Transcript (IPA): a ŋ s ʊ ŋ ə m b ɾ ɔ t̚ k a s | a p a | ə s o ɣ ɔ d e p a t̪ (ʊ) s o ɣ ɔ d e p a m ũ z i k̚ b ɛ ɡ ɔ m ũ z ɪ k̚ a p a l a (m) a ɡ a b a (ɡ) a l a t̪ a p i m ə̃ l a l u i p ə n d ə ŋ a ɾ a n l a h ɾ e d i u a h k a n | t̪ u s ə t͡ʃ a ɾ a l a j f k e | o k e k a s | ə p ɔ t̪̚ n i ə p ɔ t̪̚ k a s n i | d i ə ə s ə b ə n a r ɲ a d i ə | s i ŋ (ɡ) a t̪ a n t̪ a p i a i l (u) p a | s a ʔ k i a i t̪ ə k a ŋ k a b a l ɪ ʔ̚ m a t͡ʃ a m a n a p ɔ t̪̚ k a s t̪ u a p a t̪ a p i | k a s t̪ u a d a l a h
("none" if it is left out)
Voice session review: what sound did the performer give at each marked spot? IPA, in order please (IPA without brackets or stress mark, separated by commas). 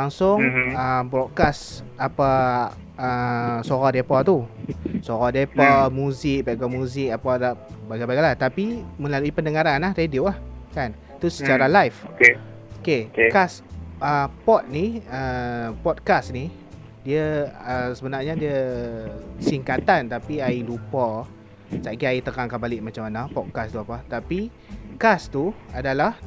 u, b, ɡ, k, u